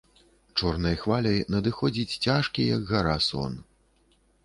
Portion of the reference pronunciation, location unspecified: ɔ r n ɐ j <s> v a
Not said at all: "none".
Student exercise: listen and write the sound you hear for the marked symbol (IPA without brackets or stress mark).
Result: x